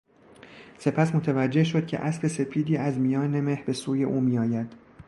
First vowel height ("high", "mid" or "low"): mid